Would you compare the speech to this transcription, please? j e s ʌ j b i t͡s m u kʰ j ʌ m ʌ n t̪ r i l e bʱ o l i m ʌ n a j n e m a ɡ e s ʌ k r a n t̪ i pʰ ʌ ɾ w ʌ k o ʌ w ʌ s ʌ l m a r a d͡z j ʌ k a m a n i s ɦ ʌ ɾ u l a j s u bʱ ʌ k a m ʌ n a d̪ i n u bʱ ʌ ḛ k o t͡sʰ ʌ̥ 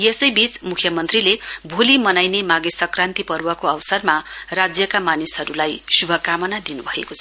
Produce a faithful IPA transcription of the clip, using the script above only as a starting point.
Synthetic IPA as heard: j e s ʌ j b i t͡s m u kʰ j ʌ m ʌ n t̪ r i l e bʱ o l i m ʌ n a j n e m a ɡ e s ʌ k r a n t̪ i p ʌ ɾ w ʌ k o ʌ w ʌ s ʌ r m a r a d͡z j ʌ k a m a n i s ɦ ʌ ɾ u l a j s u bʱ ʌ k a m ʌ n a d̪ i n u bʱ ʌ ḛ k o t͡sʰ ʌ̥

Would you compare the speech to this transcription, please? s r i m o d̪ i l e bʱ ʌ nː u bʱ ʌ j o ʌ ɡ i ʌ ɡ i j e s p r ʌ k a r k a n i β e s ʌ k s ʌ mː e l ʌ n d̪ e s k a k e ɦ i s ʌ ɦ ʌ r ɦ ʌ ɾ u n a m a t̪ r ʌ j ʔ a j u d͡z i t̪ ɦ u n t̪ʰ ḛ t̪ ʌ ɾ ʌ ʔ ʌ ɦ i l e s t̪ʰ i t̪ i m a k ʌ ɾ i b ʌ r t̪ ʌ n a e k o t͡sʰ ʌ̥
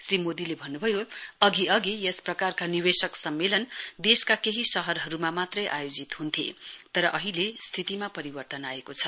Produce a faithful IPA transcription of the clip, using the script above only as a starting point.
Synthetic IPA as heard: s r i m o d̪ i l e bʱ ʌ nː u bʱ ʌ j o ʌ ɡ i ʌ ɡ i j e s p r ʌ k a r k a n i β e s ʌ k s ʌ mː e l ʌ n d̪ e s k a k e ɦ i s ʌ ɦ ʌ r ɦ ʌ ɾ u m a m a t̪ r ʌ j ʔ a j o d͡z i t̪ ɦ u n t̪ʰ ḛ t̪ ʌ ɾ ʌ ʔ ʌ ɦ i l e s t̪ʰ i t̪ i m a p ʌ ɾ i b ʌ r t̪ ʌ n a e k o t͡sʰ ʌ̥

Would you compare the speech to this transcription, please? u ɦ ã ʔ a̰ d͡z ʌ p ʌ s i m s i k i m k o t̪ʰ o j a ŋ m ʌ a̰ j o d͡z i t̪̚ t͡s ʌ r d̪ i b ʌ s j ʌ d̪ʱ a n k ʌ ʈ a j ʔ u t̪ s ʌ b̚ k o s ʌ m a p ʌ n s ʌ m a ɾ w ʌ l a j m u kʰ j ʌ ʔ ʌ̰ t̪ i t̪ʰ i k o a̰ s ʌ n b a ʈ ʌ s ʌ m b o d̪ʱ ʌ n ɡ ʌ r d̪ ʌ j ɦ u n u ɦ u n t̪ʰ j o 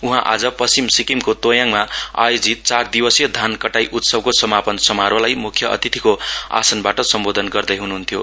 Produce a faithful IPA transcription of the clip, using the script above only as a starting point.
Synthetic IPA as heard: u ɦ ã ʔ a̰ d͡z ʌ p ʌ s i m s i k i m k o t̪ o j a ŋ m a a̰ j o d͡z i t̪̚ t͡s a r d̪ i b ʌ s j ʌ d̪ʱ a n k ʌ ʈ a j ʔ u t̪ s ʌ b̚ k o s ʌ m a p ʌ n s ʌ m a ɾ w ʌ l a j m u kʰ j ʌ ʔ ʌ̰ t̪ i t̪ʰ i k o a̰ s ʌ n b a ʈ ʌ s ʌ m b o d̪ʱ ʌ n ɡ ʌ r d̪ ʌ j ɦ u n u ɦ u n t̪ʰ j o

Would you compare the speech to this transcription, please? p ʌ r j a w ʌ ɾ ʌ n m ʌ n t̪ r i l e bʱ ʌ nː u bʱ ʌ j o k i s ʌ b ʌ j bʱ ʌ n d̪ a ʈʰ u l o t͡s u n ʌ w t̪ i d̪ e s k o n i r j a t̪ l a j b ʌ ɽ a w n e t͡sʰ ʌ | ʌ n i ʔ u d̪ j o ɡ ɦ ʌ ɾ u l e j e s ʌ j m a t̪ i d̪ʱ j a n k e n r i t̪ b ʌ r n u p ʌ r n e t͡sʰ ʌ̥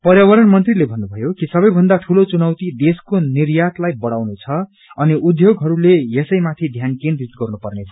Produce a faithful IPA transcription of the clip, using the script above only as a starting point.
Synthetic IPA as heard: p ʌ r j a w ʌ ɾ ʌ n m ʌ n t̪ r i l e bʱ ʌ nː u bʱ ʌ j o k i s ʌ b ʌ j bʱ ʌ n d̪ a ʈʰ u l o t͡s u n ʌ w t̪ i d̪ e s k o n i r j a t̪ l a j b ʌ ɽ a w n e t͡sʰ ʌ | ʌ n i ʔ u d̪ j o ɡ ɦ ʌ ɾ u l e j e s ʌ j m a t̪ʰ i d̪ʱ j a n k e n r i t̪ ɡ ʌ r n u p ʌ r n e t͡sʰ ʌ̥

